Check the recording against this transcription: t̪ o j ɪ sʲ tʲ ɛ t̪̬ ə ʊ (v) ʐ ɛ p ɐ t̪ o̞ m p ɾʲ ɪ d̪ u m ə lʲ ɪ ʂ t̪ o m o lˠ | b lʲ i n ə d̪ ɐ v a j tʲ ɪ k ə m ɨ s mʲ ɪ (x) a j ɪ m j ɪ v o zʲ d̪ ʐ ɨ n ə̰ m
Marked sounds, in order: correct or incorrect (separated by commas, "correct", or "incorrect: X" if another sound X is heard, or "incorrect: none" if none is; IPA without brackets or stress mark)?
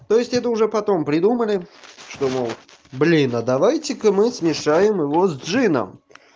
incorrect: none, incorrect: ʂ